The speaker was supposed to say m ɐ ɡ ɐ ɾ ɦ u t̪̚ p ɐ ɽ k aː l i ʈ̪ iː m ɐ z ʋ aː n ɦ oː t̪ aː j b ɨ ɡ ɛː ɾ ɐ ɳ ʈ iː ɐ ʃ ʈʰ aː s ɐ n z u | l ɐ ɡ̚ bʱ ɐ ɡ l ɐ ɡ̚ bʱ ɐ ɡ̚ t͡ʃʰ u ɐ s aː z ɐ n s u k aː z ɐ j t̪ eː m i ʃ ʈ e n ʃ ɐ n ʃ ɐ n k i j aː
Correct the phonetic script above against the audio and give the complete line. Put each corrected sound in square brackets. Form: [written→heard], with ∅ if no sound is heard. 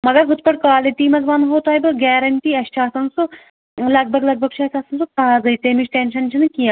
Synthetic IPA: m ɐ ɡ ɐ ɾ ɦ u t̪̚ p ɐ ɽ k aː l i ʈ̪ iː m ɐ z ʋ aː n ɦ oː t̪ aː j b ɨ ɡ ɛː ɾ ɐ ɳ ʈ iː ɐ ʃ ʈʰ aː s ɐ n [z→s] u | l ɐ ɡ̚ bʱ ɐ ɡ l ɐ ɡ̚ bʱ ɐ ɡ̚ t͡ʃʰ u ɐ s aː [z→s] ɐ n s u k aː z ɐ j t̪ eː m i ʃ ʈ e n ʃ ɐ n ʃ ɐ n k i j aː

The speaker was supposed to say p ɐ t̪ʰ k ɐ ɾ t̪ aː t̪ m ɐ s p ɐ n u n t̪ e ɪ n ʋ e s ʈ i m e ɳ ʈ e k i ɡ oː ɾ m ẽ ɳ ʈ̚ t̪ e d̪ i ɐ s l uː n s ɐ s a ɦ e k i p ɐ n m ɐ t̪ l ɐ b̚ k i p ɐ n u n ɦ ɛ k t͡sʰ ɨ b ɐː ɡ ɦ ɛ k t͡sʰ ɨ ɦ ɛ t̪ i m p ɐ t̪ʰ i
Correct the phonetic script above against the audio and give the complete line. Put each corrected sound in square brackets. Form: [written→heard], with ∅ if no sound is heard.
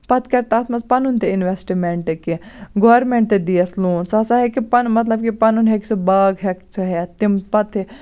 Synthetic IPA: p ɐ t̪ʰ k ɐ ɾ t̪ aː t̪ m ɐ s p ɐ n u n t̪ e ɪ n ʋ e s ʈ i m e ɳ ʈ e k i ɡ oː ɾ m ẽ ɳ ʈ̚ t̪ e d̪ i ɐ s l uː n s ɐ s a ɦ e k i p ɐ n m ɐ t̪ l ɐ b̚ k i p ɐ n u n ɦ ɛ k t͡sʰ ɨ b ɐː ɡ ɦ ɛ k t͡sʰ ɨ ɦ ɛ t̪ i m p ɐ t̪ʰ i

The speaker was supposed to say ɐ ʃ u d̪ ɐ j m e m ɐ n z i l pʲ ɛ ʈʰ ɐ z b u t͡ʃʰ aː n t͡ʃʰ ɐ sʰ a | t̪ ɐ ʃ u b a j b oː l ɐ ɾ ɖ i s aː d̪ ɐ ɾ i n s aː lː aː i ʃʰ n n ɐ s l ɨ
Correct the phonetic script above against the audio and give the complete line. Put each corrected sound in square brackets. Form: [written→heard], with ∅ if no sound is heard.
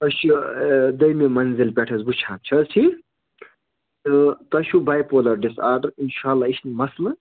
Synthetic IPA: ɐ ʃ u d̪ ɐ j m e m ɐ n z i l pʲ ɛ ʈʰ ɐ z b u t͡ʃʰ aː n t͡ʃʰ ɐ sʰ [a→i] | t̪ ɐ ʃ u b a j [b→p] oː l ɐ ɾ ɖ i s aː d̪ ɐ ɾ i n [s→ʃ] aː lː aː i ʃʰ n [n→m] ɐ s l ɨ

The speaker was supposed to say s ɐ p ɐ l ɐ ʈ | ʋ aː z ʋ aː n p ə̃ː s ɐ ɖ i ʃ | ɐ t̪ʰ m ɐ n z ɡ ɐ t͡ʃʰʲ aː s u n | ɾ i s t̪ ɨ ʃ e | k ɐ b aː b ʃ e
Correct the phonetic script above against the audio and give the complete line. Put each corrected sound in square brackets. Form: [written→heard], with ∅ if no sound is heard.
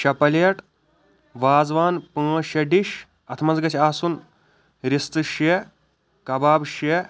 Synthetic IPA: [s→ʃ] ɐ p ɐ l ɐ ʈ | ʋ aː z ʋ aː n p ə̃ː [s→ʃ] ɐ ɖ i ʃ | ɐ t̪ʰ m ɐ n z ɡ ɐ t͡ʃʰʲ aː s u n | ɾ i s t̪ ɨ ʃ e | k ɐ b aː b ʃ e

